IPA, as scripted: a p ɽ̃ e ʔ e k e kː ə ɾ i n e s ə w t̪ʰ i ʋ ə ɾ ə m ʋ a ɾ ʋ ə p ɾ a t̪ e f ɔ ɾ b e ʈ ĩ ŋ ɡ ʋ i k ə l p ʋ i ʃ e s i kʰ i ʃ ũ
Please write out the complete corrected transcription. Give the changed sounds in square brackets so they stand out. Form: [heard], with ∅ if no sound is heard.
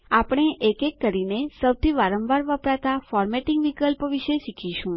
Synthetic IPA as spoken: a p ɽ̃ e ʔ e k e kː ə ɾ i n e s ə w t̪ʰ i ʋ [a] ɾ ə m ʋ a ɾ ʋ ə p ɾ a t̪ [a] f ɔ ɾ [m] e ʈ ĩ ŋ ɡ ʋ i k ə l p ʋ i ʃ e [ʃ] i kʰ i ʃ ũ